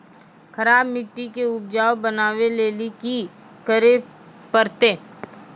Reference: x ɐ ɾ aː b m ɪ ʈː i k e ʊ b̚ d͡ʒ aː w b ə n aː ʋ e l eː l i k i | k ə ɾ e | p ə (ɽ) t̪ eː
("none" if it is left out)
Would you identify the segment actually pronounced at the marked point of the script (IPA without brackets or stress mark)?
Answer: ɾ